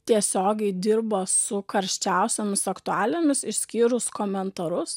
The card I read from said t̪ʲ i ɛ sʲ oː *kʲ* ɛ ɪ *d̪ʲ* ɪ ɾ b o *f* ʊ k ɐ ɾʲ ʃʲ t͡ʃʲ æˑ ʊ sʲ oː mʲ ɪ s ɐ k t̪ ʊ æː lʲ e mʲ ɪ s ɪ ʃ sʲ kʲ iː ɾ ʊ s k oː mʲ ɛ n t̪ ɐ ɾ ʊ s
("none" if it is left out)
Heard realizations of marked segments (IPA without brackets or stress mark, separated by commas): ɡʲ, d̪ʲ, s